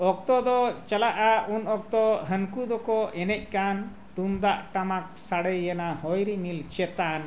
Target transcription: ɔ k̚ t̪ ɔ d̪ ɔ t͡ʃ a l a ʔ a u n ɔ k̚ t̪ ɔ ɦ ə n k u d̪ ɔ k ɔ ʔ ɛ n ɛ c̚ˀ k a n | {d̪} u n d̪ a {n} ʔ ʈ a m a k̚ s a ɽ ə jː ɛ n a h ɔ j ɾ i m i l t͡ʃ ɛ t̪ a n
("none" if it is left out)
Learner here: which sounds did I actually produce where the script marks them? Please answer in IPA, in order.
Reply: t̪, none

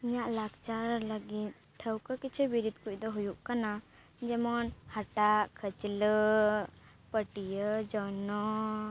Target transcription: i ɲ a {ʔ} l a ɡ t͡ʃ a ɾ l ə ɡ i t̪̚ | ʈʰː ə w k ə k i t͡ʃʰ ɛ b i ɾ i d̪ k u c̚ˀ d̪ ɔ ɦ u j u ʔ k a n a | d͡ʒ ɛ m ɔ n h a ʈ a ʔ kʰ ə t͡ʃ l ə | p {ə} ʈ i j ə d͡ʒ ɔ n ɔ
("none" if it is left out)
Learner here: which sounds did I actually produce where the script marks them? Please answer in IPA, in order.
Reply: ʔ, ə

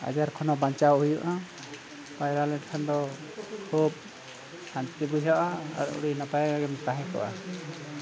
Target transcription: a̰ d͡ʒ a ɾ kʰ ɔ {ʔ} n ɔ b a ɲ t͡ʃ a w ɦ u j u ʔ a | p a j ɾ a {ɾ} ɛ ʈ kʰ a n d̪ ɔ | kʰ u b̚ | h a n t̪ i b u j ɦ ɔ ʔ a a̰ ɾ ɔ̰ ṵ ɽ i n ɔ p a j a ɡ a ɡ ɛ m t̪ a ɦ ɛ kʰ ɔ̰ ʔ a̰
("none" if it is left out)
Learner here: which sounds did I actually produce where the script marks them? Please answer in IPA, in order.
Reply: none, l

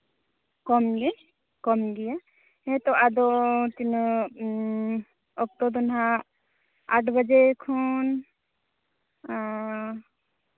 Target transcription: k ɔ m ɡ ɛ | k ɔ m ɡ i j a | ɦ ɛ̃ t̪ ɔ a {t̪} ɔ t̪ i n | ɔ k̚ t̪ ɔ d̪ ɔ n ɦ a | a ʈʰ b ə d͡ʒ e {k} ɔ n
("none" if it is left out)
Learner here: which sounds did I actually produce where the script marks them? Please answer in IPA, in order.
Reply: d̪, kʰ

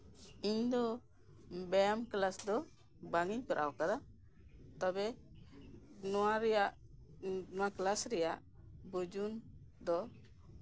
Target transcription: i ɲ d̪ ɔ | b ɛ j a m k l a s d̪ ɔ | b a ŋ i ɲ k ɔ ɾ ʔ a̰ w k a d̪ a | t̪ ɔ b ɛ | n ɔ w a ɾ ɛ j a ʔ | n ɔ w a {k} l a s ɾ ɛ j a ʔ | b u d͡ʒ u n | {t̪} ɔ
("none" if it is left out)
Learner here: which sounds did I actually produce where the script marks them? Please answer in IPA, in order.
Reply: k, d̪

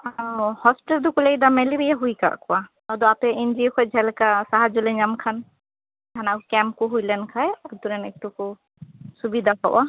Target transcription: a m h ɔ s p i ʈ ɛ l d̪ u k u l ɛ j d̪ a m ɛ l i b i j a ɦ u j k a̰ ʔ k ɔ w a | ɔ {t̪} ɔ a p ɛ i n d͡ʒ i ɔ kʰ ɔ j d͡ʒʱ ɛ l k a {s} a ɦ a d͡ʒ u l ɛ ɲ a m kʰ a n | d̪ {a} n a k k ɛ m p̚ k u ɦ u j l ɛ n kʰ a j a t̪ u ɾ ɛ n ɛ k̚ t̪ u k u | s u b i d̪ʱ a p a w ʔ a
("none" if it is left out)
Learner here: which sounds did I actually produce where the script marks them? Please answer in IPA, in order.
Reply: d̪, s, a

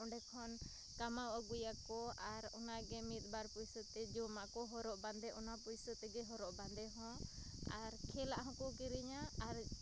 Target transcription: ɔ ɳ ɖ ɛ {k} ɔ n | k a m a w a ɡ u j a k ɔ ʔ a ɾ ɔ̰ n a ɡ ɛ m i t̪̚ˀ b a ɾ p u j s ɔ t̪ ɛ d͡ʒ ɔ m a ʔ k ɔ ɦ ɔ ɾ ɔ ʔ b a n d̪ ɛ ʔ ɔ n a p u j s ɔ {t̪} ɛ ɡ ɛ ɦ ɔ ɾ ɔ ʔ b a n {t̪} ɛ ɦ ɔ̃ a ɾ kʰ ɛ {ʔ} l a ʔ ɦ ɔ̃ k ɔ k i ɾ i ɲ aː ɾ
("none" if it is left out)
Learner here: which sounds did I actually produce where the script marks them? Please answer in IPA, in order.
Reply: kʰ, t̪, d̪, none

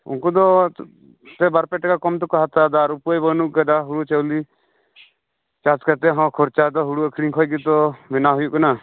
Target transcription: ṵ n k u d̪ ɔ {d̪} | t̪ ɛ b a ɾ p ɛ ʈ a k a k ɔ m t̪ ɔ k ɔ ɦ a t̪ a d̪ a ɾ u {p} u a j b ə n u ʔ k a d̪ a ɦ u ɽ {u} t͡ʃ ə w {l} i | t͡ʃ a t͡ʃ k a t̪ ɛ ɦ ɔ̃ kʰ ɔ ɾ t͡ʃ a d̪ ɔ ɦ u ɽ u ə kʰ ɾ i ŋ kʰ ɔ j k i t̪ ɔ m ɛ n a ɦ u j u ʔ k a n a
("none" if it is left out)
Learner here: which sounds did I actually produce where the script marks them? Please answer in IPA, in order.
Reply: none, p, u, l

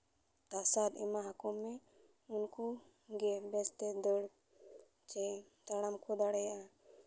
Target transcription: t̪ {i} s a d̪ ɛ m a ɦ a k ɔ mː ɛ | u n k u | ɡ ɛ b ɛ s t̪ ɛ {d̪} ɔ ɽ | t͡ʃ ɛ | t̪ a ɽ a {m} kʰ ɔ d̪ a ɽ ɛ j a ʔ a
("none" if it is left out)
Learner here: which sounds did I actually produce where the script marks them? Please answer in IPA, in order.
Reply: a, d̪, m

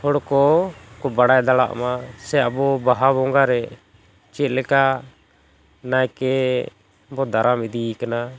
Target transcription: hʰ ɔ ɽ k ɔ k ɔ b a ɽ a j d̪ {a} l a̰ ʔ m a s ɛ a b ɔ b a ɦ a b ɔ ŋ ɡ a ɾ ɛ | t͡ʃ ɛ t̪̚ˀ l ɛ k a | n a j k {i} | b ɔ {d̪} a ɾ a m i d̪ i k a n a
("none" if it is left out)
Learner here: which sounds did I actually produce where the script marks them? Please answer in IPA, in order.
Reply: a, ɛ, d̪

